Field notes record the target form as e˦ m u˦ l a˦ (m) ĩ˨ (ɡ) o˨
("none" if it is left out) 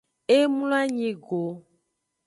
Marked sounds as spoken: ɲ, ɡ

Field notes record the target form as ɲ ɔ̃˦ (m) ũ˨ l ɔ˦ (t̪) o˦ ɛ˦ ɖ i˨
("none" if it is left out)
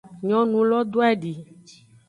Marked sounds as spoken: n, d̪

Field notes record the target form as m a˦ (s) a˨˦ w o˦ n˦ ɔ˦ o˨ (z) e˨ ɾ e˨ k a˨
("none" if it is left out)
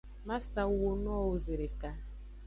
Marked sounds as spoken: s, z

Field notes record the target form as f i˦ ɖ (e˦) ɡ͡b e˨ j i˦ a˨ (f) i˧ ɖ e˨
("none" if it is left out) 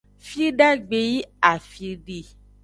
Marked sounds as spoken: a˦, f

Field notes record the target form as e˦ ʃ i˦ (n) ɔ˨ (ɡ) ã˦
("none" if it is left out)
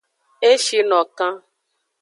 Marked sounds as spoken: n, k

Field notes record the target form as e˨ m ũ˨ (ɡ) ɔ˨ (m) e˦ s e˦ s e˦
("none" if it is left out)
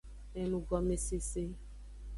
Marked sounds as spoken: ɡ, m

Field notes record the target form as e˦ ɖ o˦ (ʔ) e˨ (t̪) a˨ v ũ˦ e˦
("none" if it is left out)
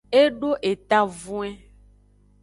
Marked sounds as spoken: ʔ, t̪

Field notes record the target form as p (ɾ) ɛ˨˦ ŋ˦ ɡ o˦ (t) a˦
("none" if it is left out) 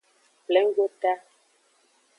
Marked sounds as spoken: l, t

